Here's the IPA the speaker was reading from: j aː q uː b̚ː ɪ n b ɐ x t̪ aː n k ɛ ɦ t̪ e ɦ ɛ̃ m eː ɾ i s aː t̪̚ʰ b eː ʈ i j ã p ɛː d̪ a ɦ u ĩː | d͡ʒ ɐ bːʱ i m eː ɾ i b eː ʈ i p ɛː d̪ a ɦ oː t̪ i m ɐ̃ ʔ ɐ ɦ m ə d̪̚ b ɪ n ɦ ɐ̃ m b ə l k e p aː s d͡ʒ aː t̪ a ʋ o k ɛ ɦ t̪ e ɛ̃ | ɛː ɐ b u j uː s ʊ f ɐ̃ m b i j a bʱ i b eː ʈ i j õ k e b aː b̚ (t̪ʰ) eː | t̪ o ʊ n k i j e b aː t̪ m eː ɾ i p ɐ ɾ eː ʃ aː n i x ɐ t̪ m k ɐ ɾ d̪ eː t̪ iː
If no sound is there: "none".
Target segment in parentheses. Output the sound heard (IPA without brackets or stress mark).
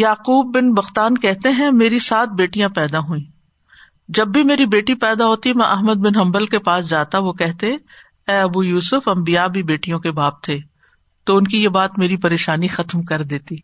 t̪ʰ